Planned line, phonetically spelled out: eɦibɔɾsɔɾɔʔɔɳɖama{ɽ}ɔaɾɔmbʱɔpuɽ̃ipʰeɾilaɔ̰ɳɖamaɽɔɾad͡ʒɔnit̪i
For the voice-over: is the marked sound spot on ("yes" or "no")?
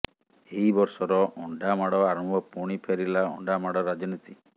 yes